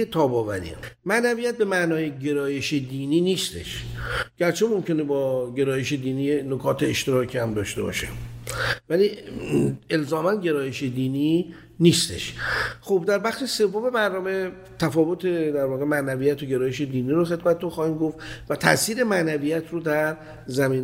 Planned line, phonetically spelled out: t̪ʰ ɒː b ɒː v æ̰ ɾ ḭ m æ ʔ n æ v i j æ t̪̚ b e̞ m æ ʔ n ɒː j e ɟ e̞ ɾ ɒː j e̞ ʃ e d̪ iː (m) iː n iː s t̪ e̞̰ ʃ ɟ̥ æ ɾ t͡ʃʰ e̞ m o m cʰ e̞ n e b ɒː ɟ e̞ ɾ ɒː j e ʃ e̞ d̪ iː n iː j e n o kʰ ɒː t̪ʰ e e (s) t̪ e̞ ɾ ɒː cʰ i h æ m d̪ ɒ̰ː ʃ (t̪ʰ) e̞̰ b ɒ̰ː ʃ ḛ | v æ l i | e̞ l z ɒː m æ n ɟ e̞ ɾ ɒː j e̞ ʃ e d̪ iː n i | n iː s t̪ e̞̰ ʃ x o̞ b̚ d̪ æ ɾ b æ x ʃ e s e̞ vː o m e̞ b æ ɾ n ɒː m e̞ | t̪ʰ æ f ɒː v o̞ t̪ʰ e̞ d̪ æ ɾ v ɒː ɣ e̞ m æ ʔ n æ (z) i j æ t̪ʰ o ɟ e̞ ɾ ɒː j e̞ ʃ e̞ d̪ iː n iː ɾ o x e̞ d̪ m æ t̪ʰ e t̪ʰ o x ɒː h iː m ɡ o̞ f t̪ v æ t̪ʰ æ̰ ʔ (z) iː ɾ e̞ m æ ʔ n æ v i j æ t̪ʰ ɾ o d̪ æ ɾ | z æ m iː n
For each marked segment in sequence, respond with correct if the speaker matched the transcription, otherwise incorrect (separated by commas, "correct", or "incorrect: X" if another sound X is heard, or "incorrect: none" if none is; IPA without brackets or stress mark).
incorrect: n, incorrect: ʃ, incorrect: t̪, incorrect: v, incorrect: s